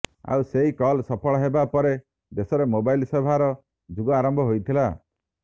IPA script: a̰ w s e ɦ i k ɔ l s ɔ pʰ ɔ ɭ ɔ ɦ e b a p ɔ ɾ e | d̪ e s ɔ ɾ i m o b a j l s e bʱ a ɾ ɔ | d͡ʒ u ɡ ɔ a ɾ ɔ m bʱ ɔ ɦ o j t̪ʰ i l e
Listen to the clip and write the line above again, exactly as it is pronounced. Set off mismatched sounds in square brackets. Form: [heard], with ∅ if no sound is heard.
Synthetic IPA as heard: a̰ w s e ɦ i k ɔ l s ɔ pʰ ɔ ɭ ɔ ɦ e b a p ɔ ɾ e | d̪ e s ɔ ɾ [e] m o b a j l s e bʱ a ɾ ɔ | d͡ʒ u ɡ ɔ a ɾ ɔ m bʱ ɔ ɦ o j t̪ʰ i l [a]